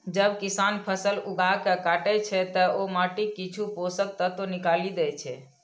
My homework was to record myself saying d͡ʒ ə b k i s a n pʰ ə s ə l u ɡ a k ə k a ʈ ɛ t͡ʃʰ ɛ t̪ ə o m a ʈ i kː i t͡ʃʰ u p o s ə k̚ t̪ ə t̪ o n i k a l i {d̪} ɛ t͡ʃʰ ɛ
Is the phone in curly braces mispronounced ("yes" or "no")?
no